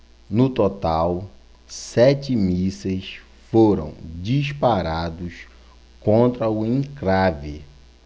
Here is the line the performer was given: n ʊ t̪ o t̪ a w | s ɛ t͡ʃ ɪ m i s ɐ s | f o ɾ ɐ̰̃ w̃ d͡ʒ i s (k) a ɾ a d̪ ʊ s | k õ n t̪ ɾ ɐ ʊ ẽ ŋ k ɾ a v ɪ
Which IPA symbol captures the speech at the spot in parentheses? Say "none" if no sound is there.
p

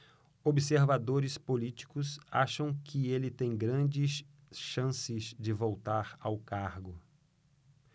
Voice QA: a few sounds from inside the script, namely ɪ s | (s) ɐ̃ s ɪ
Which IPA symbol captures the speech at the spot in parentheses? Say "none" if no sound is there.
ʃ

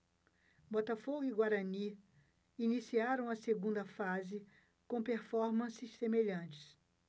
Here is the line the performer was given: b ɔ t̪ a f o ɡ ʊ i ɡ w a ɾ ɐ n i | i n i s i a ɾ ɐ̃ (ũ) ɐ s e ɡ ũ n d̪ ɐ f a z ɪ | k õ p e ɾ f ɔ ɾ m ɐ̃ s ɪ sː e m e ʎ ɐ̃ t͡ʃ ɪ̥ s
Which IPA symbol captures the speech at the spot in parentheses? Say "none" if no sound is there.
w̃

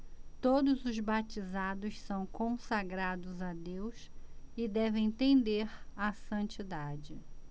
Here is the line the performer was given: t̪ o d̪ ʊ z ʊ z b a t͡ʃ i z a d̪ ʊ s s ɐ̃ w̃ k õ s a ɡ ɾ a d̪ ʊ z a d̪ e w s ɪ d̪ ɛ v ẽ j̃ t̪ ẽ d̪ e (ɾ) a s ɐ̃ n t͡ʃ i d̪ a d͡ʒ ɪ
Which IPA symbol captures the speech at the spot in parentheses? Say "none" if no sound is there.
ɾ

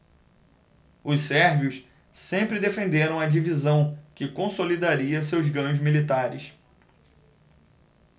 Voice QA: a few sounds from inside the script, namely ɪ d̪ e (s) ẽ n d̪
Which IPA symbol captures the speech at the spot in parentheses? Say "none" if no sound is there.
f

